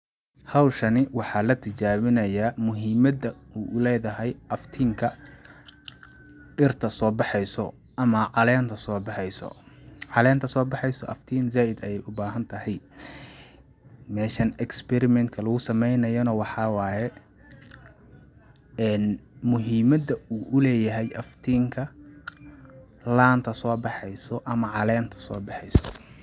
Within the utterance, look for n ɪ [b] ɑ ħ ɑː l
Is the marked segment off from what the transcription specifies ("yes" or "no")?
yes